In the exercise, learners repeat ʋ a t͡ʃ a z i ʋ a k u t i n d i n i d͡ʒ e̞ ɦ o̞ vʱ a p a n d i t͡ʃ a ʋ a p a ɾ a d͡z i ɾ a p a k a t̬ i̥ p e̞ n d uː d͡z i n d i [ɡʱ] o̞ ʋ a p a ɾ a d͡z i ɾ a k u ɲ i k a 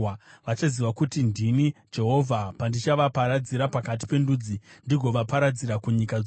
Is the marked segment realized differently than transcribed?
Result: no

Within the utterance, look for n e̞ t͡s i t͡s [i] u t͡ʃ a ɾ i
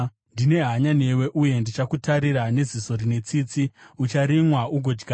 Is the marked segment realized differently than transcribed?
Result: no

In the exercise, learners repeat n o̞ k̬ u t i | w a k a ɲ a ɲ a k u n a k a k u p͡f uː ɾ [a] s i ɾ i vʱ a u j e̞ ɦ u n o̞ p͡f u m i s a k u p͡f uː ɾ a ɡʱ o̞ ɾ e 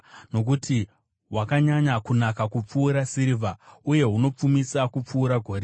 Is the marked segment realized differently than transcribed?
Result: no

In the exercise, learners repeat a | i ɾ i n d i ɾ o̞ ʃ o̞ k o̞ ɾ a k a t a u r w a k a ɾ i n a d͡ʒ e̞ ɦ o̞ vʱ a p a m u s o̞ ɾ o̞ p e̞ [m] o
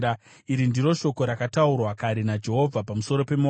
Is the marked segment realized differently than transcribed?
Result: no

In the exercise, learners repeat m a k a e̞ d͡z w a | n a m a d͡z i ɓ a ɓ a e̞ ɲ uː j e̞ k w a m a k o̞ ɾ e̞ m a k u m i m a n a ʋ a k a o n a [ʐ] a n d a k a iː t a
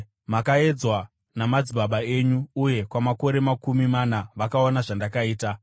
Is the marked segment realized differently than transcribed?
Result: no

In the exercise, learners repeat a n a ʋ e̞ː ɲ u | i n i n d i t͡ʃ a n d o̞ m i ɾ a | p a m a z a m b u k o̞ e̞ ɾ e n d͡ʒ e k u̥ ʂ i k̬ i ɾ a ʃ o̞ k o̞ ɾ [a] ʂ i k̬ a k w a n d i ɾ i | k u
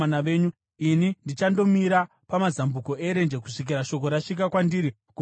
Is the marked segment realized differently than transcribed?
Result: no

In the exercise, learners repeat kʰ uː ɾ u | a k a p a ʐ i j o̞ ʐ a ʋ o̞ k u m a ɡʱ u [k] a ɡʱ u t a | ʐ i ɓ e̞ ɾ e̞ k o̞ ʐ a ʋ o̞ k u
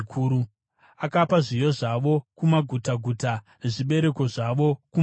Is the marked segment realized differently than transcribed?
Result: yes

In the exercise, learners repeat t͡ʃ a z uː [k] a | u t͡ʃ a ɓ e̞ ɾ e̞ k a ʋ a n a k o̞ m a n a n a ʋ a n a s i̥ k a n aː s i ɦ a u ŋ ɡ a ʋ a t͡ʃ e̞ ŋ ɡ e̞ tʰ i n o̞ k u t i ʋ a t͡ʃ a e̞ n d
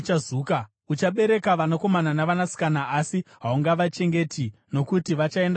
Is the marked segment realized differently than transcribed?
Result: no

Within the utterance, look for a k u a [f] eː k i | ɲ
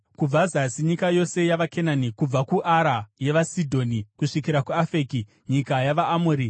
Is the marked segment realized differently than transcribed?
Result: no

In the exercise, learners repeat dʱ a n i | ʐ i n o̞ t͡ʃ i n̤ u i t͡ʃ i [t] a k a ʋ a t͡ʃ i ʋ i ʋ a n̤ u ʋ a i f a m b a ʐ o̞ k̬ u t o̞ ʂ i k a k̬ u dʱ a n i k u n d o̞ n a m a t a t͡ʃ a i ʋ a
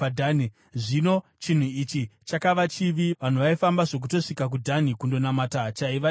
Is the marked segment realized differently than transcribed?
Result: yes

